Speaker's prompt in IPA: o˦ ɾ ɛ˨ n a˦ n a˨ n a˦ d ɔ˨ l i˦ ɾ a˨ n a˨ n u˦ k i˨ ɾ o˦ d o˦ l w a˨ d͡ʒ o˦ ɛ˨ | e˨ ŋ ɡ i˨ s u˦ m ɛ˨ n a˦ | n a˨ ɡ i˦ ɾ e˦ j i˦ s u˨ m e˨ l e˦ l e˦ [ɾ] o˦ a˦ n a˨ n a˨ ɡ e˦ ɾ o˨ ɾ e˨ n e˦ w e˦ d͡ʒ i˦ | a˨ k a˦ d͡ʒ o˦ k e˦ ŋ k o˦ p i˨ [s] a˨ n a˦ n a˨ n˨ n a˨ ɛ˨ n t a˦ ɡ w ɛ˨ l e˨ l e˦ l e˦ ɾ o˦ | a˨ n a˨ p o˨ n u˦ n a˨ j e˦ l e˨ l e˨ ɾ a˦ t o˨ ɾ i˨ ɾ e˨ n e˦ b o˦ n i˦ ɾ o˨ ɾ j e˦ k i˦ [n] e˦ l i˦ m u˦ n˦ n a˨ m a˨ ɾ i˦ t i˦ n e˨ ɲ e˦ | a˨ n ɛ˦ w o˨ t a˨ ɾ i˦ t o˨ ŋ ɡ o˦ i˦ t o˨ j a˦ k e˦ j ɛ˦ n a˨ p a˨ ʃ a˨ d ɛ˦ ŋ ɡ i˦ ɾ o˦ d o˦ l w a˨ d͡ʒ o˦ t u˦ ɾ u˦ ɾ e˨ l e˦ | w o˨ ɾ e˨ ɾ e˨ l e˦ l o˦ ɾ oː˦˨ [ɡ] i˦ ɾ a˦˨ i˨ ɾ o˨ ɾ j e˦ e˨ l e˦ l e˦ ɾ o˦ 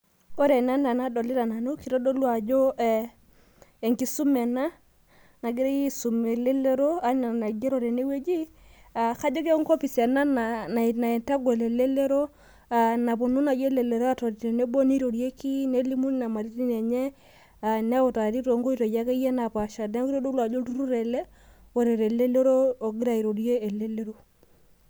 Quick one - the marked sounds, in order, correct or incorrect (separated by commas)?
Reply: correct, correct, correct, correct